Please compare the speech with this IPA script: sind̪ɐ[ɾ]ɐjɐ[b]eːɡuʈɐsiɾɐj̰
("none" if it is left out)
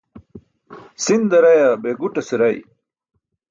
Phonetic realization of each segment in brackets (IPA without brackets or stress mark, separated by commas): ɾ, b